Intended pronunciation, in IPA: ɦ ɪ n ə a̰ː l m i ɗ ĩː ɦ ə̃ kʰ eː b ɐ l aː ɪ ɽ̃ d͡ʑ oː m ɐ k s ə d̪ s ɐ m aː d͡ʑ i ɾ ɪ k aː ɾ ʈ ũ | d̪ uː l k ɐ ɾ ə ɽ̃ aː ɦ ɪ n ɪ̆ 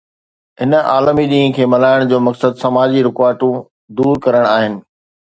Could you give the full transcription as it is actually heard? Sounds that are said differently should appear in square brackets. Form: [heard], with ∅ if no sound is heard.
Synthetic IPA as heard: ɦ ɪ n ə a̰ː l m i ɗ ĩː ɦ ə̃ kʰ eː [m] ɐ l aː ɪ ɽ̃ d͡ʑ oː m ɐ k s ə d̪ s ɐ m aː d͡ʑ i ɾ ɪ k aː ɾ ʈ ũ | d̪ uː [ɾ] k ɐ ɾ ə ɽ̃ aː ɦ ɪ n ɪ̆